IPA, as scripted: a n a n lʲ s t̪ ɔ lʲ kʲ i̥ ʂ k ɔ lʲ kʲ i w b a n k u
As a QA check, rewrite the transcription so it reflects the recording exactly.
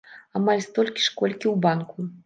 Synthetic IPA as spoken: a m a lʲ s t̪ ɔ lʲ kʲ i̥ ʂ k ɔ lʲ kʲ i w b a n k u